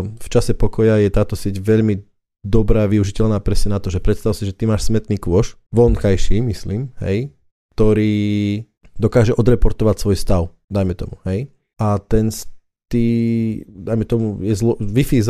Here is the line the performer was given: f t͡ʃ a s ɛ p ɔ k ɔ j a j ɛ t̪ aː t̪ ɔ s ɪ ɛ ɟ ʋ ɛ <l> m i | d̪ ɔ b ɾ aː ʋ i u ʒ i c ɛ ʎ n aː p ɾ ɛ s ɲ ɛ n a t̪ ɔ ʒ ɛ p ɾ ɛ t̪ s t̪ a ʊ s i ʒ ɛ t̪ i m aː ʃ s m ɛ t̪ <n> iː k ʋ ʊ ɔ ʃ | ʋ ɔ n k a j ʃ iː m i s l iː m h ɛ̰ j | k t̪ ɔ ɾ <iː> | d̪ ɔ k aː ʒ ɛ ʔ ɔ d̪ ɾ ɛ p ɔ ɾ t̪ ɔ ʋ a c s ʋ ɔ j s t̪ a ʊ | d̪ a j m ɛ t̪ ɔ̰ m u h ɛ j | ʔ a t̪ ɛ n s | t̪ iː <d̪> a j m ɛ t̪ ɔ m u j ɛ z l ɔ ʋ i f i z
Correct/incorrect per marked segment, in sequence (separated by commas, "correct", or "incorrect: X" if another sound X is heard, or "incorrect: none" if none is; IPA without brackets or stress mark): incorrect: ʎ, correct, correct, correct